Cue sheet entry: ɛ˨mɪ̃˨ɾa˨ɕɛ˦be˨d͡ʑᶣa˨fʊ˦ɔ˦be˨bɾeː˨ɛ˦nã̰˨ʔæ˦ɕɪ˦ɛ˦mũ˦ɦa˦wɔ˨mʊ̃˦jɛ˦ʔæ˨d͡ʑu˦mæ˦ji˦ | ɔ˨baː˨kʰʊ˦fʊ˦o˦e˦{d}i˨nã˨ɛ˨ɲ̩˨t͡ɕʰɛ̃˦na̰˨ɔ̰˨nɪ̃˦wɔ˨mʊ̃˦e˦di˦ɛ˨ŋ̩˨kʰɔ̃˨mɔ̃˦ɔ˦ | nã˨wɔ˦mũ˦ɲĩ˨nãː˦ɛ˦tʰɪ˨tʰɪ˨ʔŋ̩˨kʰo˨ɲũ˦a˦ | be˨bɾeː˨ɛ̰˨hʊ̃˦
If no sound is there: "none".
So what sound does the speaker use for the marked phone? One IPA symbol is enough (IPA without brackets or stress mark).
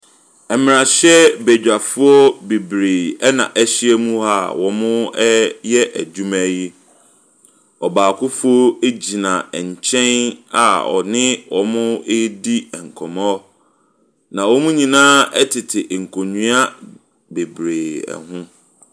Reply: d͡ʑ